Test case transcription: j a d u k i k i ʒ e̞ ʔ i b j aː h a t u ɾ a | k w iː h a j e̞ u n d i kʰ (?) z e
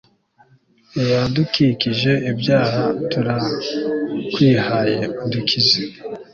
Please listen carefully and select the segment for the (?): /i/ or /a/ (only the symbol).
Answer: i